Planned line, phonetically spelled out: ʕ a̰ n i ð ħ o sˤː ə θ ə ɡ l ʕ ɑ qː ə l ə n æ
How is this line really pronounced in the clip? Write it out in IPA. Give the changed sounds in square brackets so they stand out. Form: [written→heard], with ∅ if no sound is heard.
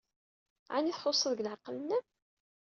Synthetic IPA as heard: ʕ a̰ n i [ð→θ] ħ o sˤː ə [θ→ð] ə ɡ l ʕ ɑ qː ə l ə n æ